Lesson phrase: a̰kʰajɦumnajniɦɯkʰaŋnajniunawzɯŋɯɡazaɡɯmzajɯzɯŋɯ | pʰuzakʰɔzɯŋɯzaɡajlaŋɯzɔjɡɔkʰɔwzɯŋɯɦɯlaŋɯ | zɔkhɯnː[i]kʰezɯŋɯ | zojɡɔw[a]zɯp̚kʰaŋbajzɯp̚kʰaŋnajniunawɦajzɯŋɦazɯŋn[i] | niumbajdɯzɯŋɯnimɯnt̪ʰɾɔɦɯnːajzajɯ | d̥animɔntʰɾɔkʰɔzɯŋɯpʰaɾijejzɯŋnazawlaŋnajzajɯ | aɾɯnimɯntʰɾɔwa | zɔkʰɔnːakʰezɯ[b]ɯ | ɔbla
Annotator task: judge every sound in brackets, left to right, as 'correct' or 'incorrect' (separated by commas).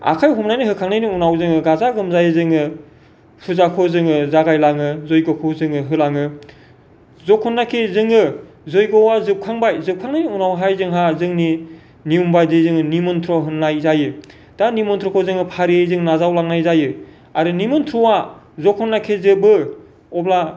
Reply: incorrect, correct, correct, correct